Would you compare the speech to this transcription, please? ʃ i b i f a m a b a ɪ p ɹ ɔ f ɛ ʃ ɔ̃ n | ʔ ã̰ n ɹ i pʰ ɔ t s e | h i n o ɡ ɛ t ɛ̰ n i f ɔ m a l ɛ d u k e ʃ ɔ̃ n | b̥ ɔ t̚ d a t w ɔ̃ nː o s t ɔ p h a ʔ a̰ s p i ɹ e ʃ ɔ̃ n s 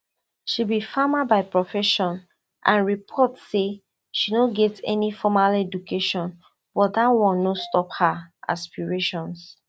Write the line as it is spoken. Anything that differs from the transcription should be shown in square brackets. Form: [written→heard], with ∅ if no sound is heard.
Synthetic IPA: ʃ i b i f a m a b a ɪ p ɹ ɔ f ɛ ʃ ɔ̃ n | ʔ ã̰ n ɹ i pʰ ɔ t s e | [h→ʃ] i n o ɡ ɛ t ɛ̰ n i f ɔ m a l ɛ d u k e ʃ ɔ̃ n | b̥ ɔ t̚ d a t w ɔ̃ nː o s t ɔ p h a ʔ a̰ s p i ɹ e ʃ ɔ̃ n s